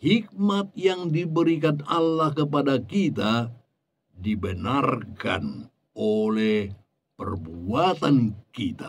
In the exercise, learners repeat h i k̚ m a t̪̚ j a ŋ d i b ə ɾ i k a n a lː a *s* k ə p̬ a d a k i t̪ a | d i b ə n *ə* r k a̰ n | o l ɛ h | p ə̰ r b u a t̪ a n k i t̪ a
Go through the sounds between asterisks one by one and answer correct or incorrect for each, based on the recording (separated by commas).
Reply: incorrect, incorrect